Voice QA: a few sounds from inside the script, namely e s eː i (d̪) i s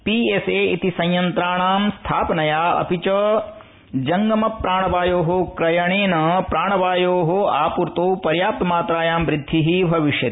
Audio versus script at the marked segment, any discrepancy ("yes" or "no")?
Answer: yes